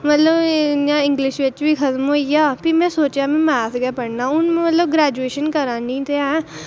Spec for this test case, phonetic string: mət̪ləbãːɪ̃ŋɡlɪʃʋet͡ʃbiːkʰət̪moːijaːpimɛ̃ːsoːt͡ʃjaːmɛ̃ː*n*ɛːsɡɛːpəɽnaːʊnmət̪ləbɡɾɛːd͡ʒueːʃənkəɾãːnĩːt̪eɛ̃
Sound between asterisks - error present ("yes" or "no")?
yes